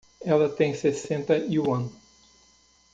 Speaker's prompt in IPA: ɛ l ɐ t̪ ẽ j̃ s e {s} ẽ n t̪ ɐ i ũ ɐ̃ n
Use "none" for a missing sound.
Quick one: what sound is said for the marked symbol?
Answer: s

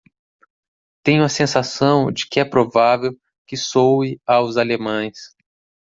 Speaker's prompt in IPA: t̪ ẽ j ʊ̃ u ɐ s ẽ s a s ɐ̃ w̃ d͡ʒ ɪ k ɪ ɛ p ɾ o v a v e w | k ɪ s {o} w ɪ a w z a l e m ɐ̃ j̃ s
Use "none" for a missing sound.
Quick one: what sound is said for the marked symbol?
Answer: o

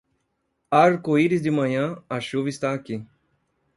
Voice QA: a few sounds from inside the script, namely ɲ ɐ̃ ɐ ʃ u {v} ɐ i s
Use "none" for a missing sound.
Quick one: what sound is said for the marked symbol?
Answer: v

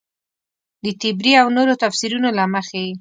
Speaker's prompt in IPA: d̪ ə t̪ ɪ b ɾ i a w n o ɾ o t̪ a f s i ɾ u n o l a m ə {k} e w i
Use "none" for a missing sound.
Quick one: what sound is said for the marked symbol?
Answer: x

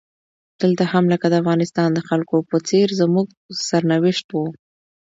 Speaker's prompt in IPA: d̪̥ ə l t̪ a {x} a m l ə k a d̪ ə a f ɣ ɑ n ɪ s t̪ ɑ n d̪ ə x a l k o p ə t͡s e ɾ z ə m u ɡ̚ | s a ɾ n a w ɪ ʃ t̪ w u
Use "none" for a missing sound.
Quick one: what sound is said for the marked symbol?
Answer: h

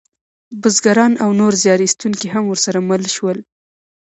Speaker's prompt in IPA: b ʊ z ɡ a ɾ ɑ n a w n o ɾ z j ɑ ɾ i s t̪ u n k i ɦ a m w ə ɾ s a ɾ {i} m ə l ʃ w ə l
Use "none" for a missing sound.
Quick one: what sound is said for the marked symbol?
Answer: a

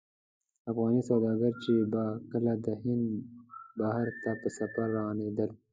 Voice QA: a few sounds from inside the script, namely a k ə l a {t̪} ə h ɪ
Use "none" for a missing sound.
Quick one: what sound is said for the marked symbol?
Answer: d̪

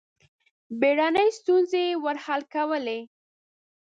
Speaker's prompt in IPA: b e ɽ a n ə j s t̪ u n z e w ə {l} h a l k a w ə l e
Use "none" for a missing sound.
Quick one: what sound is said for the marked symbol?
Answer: ɾ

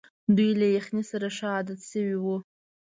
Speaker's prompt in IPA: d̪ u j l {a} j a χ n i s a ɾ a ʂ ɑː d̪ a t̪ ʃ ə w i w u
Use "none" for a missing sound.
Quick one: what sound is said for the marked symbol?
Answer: a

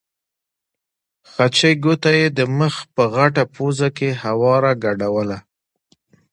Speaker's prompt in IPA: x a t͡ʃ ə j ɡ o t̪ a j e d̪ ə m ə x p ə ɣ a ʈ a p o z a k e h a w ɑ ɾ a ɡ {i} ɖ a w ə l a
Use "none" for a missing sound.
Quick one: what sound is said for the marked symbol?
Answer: a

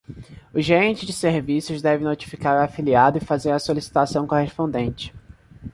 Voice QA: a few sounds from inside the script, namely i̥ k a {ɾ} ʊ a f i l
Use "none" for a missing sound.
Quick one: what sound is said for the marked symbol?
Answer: ɾ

